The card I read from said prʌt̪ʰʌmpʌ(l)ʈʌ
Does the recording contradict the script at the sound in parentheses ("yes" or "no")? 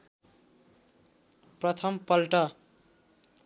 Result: no